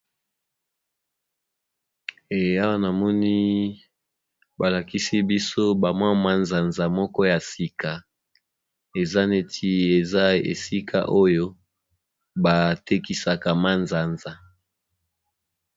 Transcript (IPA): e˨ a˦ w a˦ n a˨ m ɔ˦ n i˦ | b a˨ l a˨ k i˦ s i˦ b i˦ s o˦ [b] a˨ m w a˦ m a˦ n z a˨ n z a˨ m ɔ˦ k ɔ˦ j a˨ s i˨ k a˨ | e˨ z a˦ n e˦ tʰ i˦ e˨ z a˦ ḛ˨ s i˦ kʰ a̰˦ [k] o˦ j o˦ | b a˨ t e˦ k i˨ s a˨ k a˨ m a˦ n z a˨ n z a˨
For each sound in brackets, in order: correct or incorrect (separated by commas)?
correct, incorrect